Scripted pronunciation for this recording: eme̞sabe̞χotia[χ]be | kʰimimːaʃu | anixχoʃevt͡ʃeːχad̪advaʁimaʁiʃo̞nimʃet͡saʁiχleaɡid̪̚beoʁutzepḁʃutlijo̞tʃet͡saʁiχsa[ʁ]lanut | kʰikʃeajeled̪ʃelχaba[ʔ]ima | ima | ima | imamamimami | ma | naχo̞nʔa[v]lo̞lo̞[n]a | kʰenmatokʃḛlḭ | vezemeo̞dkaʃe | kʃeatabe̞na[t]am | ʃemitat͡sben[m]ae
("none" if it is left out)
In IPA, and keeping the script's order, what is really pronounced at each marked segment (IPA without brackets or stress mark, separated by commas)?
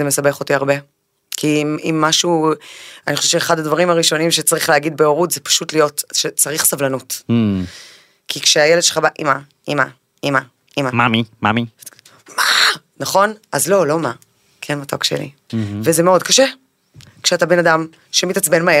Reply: ʁ, v, ʔ, z, m, d, m